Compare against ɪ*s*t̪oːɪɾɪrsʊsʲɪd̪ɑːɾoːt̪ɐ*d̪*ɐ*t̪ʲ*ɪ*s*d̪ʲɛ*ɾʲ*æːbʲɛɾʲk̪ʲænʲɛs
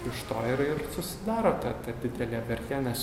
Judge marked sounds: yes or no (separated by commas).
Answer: no, no, no, no, no